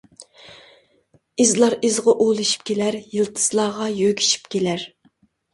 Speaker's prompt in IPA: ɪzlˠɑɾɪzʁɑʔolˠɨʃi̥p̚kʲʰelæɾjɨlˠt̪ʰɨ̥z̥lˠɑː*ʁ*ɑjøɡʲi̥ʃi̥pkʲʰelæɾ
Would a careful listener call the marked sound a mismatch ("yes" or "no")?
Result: no